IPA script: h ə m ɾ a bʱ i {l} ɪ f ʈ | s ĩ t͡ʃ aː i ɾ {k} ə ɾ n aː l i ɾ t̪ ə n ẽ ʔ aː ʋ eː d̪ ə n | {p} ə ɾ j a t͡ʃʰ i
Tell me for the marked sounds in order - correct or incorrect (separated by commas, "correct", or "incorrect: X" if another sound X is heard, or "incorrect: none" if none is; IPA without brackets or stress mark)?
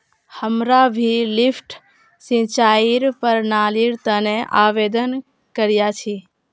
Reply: correct, incorrect: p, incorrect: k